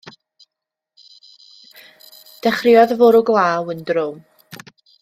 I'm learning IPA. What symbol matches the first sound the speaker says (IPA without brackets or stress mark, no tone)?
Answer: d̥